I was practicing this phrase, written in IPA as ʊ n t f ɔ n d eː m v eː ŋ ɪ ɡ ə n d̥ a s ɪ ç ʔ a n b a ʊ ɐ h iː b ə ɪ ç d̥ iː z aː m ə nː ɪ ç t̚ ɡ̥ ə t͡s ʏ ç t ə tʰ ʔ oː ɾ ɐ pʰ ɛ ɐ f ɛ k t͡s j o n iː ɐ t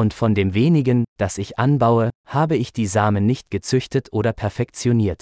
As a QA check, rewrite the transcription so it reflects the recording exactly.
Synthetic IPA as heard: ʊ n t f ɔ n d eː m v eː n ɪ ɡ ə n d̥ a s ɪ ç ʔ a n b a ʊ ə h aː b ə ɪ ç d̥ iː z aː m ə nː ɪ ç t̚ ɡ̥ ə t͡s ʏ ç t ə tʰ ʔ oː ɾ ɐ pʰ ɛ ɐ f ɛ k t͡s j o n iː ɐ t